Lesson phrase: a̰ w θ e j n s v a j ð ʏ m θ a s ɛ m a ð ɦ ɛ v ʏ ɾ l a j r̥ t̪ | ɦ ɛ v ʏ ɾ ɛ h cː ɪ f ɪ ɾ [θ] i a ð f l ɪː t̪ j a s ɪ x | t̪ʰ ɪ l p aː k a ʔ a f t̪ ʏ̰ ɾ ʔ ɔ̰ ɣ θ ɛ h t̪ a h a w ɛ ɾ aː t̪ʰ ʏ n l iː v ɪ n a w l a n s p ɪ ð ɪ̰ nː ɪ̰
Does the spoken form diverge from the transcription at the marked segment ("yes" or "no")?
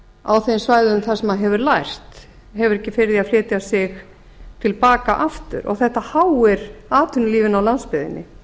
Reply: yes